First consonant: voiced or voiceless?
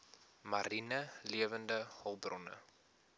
voiced